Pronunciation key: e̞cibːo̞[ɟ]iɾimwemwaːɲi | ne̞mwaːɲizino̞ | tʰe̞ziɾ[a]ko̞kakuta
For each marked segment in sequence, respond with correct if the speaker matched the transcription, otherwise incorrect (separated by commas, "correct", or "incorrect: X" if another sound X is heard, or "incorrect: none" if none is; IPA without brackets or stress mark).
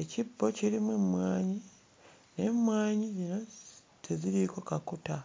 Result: incorrect: c, incorrect: i